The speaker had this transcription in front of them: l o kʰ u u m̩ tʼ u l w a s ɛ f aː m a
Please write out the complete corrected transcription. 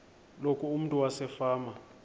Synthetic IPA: l o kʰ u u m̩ tʼ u w a s ɛ f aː m a